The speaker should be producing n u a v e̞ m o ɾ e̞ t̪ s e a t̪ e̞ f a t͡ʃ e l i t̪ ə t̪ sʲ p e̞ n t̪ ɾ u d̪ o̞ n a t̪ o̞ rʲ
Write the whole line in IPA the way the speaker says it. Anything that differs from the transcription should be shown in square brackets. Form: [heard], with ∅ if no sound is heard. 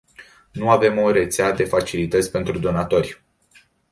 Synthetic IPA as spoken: n u a v e̞ m o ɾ e̞ t̪ s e a [d̪] e̞ f a t͡ʃ [i] l i t̪ ə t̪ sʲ p e̞ n t̪ ɾ u d̪ o̞ n a t̪ o̞ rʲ